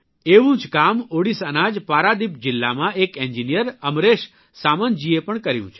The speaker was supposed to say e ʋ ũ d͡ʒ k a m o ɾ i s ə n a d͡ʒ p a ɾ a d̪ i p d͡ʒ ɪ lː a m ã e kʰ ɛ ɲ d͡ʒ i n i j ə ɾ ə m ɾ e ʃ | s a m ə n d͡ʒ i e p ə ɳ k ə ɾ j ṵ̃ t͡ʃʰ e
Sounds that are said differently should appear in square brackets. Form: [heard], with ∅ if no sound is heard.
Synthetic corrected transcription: e ʋ ũ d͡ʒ k a m o [ɽ] i s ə n a d͡ʒ p a ɾ a d̪ i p d͡ʒ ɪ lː a m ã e [k] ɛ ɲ d͡ʒ i n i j ə ɾ ə m ɾ e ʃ | s a m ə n d͡ʒ i e p ə ɳ k ə ɾ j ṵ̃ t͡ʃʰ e

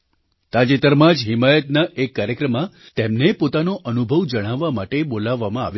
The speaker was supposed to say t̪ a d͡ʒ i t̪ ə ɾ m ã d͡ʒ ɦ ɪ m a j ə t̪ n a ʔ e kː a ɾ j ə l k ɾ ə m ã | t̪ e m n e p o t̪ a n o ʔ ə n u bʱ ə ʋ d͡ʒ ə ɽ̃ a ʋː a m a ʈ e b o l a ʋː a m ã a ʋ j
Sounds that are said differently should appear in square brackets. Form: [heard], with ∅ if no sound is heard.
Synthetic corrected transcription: t̪ a d͡ʒ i t̪ ə ɾ m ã d͡ʒ ɦ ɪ m a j ə t̪ n a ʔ e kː a ɾ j ə [∅] k ɾ ə m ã | t̪ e m n e p o t̪ a n o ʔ ə n u bʱ ə ʋ d͡ʒ ə ɽ̃ a ʋː a m a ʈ e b o l a ʋː a m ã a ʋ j

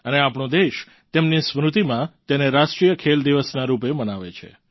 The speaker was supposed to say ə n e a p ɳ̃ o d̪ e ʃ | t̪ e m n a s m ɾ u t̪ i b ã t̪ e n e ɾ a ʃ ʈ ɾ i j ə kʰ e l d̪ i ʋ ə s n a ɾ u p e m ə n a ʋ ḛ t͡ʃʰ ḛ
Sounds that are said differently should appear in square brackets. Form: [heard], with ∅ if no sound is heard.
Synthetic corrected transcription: ə n e a p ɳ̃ o d̪ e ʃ | t̪ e m n [i] s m ɾ u t̪ i [m] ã t̪ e n e ɾ a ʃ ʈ ɾ i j ə kʰ e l d̪ i ʋ ə s n a ɾ u p e m ə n a ʋ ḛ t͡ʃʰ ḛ

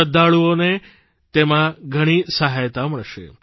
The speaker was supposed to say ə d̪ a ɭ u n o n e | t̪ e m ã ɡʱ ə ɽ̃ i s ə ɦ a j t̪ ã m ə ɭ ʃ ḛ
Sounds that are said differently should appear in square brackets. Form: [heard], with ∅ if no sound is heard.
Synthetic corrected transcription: ə d̪ a ɭ u [∅] o n e | t̪ e m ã ɡʱ ə ɽ̃ i s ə ɦ a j t̪ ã m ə ɭ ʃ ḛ

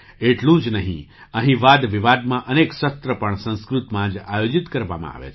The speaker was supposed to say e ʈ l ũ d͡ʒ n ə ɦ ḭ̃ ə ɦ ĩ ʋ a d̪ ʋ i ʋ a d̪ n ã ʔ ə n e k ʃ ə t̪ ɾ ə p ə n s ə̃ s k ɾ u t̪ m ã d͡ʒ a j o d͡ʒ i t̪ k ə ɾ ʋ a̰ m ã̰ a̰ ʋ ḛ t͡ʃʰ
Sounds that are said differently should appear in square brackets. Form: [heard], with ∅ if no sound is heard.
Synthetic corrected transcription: e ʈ l ũ d͡ʒ n ə ɦ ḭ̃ ə ɦ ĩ ʋ a d̪ ʋ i ʋ a d̪ [m] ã ʔ ə n e k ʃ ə t̪ ɾ ə p ə [ɳ] s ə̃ s k ɾ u t̪ m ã d͡ʒ a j o d͡ʒ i t̪ k ə ɾ ʋ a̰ m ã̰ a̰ ʋ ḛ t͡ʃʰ

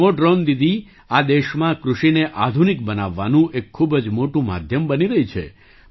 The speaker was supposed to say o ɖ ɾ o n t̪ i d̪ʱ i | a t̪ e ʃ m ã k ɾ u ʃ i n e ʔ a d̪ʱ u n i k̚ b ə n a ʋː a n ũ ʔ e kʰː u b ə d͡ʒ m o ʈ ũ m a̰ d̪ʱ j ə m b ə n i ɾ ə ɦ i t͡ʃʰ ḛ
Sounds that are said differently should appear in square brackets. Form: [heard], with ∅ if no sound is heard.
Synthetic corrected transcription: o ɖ ɾ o n [d̪] i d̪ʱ i | a [d̪] e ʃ m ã k ɾ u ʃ i n e ʔ a d̪ʱ u n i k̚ b ə n a ʋː a n ũ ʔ e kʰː u b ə d͡ʒ m o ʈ ũ m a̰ d̪ʱ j ə m b ə n i ɾ ə ɦ i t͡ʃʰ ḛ

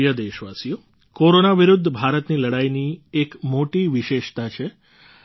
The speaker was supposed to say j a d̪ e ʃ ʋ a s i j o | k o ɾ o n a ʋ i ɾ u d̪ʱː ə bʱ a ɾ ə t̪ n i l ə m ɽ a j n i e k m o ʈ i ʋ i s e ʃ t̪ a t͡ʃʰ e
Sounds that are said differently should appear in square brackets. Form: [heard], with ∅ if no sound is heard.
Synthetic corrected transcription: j [ə] d̪ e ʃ ʋ a s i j o | k o ɾ o n a ʋ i ɾ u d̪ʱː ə bʱ a ɾ ə t̪ n i l ə [∅] ɽ a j n i e k m o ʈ i ʋ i [ʃ] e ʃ t̪ a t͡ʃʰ e

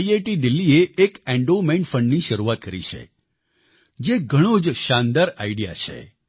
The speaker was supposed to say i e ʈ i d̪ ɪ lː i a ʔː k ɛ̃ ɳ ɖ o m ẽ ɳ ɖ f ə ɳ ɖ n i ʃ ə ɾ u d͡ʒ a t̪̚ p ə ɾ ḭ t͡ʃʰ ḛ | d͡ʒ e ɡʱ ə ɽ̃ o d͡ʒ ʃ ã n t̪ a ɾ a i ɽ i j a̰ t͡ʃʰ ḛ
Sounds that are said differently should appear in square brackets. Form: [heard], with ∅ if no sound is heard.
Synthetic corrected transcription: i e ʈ i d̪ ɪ lː i [e] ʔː k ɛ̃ ɳ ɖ o m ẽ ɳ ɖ f ə ɳ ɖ n i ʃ ə ɾ u [∅] a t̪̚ [k] ə ɾ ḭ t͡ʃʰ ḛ | d͡ʒ e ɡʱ ə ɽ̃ o d͡ʒ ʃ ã n [d̪] a ɾ a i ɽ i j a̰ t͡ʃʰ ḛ

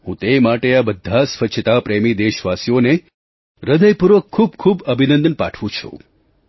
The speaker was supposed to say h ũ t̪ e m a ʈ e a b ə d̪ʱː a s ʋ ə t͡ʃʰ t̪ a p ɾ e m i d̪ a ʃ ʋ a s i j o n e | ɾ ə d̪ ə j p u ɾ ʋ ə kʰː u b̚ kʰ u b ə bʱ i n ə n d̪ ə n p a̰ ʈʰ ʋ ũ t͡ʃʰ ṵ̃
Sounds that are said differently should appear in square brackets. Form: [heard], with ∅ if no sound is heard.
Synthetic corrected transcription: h ũ t̪ e m a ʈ e a b ə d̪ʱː a s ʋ ə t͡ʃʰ t̪ a p ɾ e m i d̪ [e] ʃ ʋ a s i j o n e | ɾ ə d̪ ə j p u ɾ ʋ ə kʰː u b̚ kʰ u b ə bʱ i n ə n d̪ ə n p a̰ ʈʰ ʋ ũ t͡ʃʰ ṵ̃

